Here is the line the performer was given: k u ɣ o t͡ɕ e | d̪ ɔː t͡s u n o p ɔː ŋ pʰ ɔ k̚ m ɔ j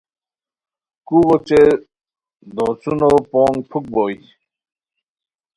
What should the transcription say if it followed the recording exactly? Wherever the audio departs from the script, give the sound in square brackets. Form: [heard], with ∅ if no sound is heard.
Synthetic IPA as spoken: k u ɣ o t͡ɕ e | d̪ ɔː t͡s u n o p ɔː ŋ pʰ [u] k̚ [b] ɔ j